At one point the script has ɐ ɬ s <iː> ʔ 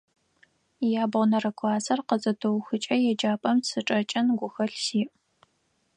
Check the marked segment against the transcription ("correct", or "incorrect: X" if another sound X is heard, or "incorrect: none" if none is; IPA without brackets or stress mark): correct